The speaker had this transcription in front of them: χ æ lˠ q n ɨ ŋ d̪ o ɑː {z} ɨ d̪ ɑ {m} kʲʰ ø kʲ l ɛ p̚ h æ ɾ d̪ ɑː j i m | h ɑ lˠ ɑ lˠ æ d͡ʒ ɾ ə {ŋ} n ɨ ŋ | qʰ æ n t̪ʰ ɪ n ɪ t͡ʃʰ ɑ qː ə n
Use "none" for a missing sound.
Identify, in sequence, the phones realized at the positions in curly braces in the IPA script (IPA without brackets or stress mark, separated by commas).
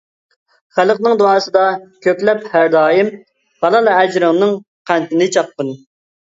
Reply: s, none, ŋ